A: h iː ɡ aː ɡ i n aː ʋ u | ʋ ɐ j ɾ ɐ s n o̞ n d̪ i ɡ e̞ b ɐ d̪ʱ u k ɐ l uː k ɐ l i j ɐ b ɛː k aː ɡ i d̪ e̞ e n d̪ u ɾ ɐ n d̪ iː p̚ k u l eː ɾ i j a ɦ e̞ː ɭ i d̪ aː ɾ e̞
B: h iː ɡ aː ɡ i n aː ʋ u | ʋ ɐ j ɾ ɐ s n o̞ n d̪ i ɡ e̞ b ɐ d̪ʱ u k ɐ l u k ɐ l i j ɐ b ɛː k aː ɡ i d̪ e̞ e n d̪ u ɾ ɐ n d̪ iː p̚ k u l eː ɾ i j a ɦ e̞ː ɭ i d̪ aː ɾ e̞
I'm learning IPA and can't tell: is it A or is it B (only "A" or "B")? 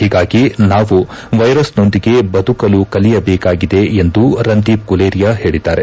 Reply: B